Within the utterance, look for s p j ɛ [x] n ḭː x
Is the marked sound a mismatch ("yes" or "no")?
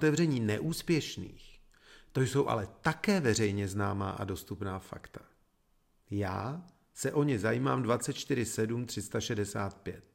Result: yes